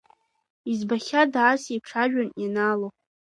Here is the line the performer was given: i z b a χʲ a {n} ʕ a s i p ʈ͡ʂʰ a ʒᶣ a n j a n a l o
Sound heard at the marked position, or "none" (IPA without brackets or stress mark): d